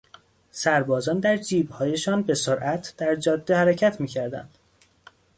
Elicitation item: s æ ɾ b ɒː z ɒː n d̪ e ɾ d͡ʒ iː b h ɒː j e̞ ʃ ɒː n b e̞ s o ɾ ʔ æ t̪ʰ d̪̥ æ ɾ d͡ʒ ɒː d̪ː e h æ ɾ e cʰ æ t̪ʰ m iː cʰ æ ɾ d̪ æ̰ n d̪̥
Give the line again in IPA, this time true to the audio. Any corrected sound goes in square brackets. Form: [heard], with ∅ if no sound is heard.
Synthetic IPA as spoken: s æ ɾ b ɒː z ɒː n d̪ [æ] ɾ d͡ʒ iː b h ɒː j e̞ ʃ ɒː n b e̞ s o ɾ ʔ æ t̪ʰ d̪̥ æ ɾ d͡ʒ ɒː d̪ː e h æ ɾ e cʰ æ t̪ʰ m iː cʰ æ ɾ d̪ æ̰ n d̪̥